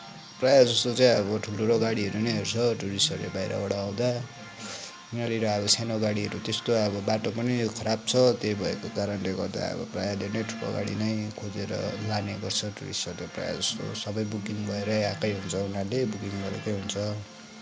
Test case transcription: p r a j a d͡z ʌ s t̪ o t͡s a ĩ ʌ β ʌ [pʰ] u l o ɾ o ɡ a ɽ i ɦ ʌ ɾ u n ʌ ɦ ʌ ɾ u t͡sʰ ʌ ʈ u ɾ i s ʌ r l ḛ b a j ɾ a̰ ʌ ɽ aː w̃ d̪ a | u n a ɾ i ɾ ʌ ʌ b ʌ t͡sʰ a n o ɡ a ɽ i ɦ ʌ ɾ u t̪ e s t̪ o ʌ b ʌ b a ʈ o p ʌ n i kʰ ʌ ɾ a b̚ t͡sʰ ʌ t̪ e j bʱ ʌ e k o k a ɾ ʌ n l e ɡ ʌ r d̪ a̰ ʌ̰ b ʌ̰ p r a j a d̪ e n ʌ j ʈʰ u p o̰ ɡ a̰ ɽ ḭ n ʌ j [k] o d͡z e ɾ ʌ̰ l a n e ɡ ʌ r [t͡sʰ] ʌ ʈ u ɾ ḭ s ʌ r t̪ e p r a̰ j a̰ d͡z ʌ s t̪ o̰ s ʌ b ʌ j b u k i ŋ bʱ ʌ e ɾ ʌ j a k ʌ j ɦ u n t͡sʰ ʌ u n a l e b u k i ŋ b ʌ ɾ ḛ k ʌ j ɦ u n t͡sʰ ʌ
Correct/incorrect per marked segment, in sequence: incorrect: ʈʰ, incorrect: kʰ, correct

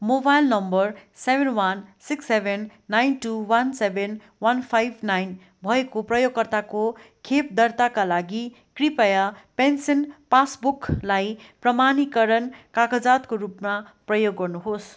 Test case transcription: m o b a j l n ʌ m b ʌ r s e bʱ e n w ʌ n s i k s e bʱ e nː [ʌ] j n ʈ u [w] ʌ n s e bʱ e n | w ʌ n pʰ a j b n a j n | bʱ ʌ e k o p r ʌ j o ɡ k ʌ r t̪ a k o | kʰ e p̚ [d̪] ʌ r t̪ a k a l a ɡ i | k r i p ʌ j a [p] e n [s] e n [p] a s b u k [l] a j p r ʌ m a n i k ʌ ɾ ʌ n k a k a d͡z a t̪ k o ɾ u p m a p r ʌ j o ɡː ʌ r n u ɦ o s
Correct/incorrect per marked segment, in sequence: incorrect: a, correct, correct, correct, correct, correct, correct

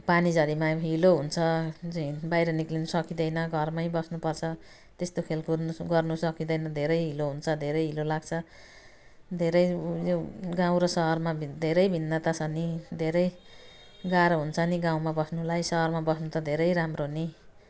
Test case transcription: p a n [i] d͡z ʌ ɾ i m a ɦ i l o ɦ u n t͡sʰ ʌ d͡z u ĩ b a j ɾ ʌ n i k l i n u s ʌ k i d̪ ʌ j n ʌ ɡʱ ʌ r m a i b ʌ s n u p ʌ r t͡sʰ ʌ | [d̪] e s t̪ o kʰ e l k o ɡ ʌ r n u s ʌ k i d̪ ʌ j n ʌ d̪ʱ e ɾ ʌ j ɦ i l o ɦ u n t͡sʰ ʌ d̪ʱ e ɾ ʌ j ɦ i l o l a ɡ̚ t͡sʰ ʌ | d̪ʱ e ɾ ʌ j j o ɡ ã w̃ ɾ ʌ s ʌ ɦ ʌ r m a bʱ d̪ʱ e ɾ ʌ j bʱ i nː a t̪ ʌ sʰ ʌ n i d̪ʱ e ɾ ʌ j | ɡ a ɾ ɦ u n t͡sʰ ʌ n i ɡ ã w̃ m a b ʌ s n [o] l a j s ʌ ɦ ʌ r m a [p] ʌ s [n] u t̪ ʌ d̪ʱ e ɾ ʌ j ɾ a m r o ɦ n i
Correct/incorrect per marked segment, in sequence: correct, incorrect: t̪, incorrect: u, incorrect: b, correct

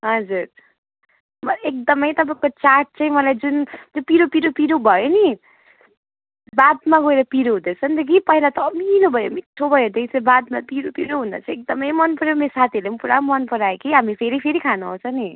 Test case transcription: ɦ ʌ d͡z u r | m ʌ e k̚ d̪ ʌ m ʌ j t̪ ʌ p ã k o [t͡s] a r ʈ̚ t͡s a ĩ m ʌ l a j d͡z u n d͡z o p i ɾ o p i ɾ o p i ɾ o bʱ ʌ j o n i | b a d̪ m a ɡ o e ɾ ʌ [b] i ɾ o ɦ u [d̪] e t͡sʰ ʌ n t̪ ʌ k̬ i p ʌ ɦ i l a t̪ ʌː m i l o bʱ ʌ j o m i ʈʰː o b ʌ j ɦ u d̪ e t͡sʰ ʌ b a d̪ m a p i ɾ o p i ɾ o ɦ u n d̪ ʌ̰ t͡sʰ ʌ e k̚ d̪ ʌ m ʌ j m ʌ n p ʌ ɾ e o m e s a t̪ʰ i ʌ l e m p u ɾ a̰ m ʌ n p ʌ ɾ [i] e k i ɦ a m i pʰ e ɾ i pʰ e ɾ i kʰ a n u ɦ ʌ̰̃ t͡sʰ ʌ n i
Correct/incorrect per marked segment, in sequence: correct, incorrect: p, correct, incorrect: a

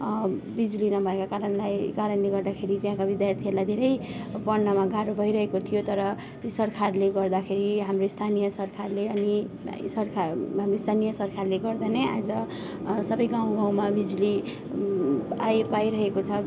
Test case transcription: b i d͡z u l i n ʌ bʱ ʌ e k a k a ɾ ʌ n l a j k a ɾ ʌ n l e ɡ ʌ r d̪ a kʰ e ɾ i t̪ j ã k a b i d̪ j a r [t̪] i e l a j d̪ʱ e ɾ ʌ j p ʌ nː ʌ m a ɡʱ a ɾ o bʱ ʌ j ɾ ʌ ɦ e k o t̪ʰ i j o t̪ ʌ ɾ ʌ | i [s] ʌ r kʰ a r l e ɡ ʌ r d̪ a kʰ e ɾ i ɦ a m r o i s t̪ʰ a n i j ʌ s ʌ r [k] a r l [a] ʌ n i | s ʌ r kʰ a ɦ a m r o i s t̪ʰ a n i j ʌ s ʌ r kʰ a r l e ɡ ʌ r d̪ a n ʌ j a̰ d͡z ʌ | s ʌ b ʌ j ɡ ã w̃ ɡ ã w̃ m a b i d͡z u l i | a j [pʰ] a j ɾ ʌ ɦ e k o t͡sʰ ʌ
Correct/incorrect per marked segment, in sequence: incorrect: t̪ʰ, correct, incorrect: kʰ, incorrect: e, incorrect: p

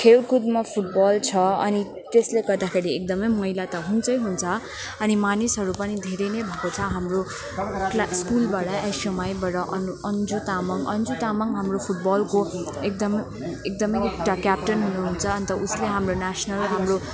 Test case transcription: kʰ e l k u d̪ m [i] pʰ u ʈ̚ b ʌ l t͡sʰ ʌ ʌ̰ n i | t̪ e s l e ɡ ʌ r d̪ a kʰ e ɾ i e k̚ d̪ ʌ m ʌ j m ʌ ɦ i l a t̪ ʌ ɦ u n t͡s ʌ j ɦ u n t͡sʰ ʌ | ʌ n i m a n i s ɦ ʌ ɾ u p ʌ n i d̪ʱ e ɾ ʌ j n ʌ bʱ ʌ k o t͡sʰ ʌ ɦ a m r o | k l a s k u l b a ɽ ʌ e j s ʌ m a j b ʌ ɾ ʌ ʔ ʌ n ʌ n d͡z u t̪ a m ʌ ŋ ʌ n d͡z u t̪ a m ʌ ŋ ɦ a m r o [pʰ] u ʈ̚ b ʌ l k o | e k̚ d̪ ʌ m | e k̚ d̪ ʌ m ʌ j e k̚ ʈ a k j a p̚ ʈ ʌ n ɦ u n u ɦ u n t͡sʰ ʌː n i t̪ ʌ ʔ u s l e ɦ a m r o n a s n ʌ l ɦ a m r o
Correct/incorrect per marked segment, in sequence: incorrect: a, correct

